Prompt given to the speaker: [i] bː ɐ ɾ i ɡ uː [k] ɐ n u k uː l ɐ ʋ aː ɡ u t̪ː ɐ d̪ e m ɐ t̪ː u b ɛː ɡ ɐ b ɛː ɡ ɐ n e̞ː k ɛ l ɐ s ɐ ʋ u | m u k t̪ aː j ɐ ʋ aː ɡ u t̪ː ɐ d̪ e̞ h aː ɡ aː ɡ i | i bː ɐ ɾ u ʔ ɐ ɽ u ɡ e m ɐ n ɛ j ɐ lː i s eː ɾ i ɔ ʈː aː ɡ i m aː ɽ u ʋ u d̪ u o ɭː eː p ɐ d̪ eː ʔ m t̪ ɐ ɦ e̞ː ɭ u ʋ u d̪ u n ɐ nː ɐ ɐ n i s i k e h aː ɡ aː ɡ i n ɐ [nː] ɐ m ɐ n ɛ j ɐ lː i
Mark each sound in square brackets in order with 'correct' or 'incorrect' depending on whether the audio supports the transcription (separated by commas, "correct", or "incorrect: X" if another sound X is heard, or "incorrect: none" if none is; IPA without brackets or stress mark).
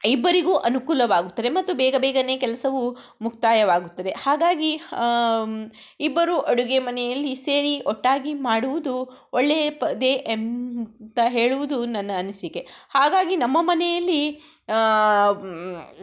correct, incorrect: ʔ, incorrect: mː